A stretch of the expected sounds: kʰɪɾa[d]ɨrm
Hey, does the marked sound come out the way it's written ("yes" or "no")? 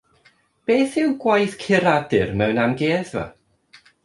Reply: yes